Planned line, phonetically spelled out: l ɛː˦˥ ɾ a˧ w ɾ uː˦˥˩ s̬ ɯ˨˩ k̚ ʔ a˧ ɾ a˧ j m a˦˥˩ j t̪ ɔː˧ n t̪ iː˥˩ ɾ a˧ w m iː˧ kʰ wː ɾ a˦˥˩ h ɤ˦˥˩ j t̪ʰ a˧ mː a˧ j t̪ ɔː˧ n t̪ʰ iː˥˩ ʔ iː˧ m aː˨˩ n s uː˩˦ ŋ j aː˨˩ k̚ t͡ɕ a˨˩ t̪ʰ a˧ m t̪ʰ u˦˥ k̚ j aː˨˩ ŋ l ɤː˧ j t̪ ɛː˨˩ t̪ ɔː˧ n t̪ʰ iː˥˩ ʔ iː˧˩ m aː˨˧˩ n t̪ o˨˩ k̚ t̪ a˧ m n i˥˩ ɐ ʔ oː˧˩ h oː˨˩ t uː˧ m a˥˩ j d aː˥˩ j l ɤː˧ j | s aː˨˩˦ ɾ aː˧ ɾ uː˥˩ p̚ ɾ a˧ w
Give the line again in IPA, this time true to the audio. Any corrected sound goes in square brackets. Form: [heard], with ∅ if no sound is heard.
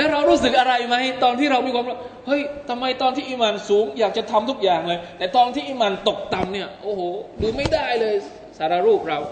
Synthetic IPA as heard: l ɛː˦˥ ɾ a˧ w ɾ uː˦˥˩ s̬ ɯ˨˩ k̚ ʔ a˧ ɾ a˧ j m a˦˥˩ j t̪ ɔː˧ n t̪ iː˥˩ ɾ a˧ w m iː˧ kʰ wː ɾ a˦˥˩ h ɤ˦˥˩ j t̪ʰ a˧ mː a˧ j t̪ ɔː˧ n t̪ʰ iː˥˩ ʔ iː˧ m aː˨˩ n s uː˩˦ ŋ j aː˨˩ k̚ t͡ɕ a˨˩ t̪ʰ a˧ m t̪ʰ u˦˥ k̚ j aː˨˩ ŋ l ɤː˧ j t̪ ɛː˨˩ t̪ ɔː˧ n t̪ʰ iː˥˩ ʔ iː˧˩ m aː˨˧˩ n t̪ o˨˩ k̚ t̪ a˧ m n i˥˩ ɐ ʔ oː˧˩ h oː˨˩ [d] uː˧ m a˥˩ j d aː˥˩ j l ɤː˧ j | s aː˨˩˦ ɾ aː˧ ɾ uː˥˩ p̚ ɾ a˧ w